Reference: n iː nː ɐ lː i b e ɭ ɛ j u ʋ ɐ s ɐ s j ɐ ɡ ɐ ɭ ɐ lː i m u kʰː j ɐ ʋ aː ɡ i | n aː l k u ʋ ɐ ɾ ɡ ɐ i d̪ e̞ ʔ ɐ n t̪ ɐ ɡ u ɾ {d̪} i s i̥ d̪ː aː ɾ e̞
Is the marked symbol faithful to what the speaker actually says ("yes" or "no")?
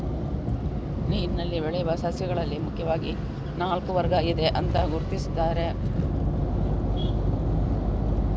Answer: no